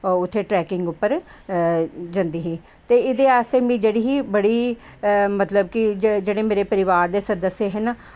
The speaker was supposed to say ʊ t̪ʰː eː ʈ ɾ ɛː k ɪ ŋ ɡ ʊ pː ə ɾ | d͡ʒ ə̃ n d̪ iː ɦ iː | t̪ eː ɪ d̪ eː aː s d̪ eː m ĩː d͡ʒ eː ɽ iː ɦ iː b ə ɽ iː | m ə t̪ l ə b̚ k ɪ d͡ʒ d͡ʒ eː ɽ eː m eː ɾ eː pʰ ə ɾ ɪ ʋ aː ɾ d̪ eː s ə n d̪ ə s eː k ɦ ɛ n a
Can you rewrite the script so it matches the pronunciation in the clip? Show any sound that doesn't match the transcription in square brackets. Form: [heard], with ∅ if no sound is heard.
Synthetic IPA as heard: ʊ t̪ʰː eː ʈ ɾ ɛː k ɪ ŋ ɡ ʊ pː ə ɾ | d͡ʒ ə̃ n d̪ iː ɦ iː | t̪ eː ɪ d̪ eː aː s [t̪] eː m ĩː d͡ʒ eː ɽ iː ɦ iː b ə ɽ iː | m ə t̪ l ə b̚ k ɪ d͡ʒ d͡ʒ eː ɽ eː m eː ɾ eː [p] ə ɾ ɪ ʋ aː ɾ d̪ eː s ə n d̪ ə s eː [∅] ɦ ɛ n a